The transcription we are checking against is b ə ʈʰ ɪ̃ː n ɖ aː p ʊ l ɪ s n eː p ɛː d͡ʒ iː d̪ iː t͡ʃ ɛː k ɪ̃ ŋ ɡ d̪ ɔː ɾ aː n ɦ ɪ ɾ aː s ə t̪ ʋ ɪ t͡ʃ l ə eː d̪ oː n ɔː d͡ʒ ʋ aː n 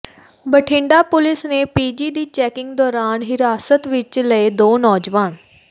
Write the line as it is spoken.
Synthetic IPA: b ə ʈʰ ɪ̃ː ɳ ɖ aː p ʊ l ɪ s n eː p iː d͡ʒ iː d̪ iː t͡ʃ ɛː k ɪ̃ ŋ ɡ d̪ ɔː ɾ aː n ɦ ɪ ɾ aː s ə t̪ ʋ ɪ t͡ʃ l ə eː d̪ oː n ɔː d͡ʒ ʋ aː n